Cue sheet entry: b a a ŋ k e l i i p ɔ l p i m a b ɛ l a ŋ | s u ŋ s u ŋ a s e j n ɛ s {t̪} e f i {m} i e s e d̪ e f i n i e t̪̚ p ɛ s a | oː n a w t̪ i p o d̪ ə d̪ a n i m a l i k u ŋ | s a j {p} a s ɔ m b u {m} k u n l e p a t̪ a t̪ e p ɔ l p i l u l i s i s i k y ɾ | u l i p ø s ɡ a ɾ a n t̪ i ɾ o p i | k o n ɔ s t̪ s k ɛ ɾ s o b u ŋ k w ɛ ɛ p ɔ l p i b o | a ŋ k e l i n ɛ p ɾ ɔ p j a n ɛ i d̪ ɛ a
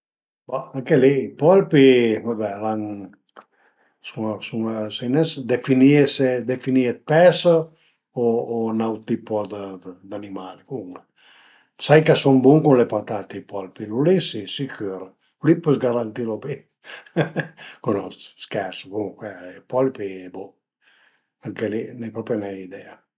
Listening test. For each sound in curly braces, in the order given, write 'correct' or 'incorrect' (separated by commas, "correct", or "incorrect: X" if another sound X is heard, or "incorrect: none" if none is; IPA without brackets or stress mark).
incorrect: d̪, incorrect: n, incorrect: k, incorrect: ŋ